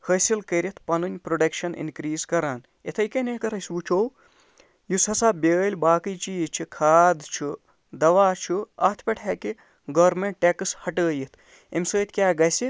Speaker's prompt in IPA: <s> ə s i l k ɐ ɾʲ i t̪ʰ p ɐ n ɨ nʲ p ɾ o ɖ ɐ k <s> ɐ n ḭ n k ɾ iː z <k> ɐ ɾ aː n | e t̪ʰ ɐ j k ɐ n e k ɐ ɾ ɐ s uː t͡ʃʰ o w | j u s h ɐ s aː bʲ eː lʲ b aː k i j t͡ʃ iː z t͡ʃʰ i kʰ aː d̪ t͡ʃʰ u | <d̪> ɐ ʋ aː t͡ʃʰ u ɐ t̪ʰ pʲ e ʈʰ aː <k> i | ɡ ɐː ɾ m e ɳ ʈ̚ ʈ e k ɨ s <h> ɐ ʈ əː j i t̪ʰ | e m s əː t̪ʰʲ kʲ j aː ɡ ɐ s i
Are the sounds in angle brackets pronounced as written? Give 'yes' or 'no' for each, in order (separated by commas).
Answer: no, no, yes, yes, yes, yes